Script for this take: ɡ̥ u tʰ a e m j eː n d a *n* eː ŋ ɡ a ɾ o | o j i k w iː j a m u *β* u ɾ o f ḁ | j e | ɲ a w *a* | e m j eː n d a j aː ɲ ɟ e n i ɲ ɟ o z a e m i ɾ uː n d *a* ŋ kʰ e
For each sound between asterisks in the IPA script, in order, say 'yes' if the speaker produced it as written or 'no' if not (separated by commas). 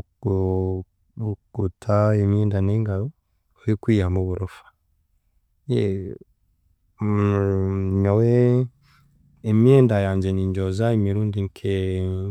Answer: yes, yes, no, no